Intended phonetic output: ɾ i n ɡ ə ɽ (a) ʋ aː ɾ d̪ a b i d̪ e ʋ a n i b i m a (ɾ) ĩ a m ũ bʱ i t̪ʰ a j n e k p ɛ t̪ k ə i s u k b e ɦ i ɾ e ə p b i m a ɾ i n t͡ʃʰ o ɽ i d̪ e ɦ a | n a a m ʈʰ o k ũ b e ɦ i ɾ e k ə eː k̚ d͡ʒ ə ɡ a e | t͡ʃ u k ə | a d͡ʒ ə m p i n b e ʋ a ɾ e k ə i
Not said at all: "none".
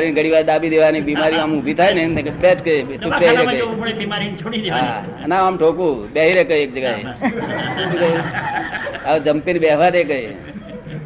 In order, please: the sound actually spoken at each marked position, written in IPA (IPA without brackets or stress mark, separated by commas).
i, ɾ